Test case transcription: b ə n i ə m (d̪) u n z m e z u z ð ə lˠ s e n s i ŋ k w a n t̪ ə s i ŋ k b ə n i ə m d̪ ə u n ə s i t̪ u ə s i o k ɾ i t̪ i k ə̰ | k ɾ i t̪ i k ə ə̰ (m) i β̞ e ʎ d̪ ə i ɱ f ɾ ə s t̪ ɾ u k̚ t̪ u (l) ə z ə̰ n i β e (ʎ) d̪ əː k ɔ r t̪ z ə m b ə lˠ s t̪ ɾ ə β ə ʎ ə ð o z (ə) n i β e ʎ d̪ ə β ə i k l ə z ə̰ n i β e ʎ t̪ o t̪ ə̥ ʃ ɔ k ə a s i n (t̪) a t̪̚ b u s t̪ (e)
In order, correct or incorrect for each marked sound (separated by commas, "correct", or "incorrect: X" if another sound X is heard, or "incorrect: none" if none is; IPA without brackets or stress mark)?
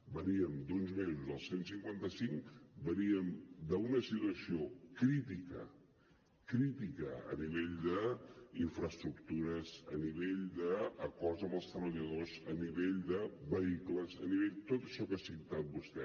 correct, incorrect: n, incorrect: ɾ, correct, correct, correct, incorrect: ɛ